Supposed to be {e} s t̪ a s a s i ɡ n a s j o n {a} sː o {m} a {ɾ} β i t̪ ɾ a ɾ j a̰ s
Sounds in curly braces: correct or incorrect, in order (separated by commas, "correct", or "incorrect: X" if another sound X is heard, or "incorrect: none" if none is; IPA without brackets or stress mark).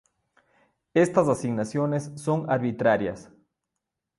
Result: correct, incorrect: e, incorrect: ŋ, correct